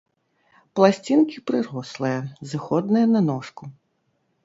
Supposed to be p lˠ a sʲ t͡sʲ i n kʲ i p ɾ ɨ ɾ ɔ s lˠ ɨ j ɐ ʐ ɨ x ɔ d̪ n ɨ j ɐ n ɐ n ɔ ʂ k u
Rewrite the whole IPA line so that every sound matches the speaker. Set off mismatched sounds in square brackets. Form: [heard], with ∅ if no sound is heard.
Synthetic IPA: p lˠ a sʲ t͡sʲ i n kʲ i p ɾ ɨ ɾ ɔ s lˠ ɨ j ɐ [z] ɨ x ɔ d̪ n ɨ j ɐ n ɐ n ɔ ʂ k u